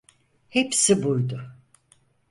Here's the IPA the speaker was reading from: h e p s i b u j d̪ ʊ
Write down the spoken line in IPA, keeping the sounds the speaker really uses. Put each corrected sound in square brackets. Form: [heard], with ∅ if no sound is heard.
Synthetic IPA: h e p s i b u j d̪ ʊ